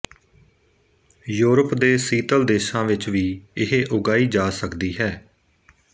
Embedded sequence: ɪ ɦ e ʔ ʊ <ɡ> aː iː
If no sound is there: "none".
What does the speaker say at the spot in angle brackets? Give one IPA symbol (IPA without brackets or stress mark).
ɡ